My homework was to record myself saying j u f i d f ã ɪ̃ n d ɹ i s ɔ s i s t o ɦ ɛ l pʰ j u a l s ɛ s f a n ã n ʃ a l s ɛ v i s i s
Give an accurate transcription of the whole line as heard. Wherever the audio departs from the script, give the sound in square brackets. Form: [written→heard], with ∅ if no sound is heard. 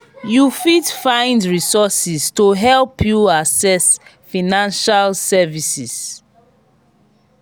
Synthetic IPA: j u f i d f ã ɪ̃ n d ɹ i s ɔ s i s t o ɦ ɛ l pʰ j u a [l→∅] s ɛ s f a n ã n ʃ a l s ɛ v i s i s